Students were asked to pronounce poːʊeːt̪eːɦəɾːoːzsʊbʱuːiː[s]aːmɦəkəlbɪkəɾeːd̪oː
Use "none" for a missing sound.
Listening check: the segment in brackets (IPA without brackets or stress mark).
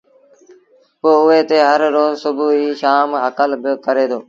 ʃ